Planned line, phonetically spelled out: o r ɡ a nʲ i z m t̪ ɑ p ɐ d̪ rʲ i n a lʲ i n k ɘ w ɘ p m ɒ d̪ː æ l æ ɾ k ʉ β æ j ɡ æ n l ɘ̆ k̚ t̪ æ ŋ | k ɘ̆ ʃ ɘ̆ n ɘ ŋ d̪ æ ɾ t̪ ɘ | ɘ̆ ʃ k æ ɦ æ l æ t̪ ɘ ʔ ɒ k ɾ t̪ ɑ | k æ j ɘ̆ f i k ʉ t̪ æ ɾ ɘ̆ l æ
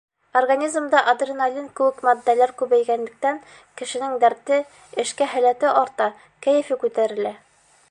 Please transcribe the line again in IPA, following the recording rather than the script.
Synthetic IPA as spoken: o r ɡ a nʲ i z m d̪ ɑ ʔ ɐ d̪ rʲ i n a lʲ i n k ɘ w ɘ k m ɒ d̪ː æ l æ ɾ k ʉ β æ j ɡ æ n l ɘ̆ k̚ t̪ æ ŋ | k ɘ̆ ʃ ɘ̆ n ɘ ŋ d̪ æ ɾ t̪ ɘ | ɘ̆ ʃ k æ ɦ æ l æ t̪ ɘ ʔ ɒ ɾ t̪ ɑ | k æ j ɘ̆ f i k ʉ t̪ æ ɾ ɘ̆ l æ